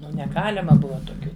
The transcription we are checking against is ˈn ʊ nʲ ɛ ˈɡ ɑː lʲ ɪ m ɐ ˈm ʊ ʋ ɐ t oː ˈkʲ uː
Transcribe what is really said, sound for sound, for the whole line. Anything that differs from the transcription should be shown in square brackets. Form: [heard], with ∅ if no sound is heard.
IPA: ˈn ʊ nʲ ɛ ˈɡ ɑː lʲ ɪ m ɐ [ˈb] ʊ ʋ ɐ t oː ˈkʲ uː